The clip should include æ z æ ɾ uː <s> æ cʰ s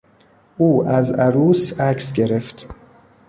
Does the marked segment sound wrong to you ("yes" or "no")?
no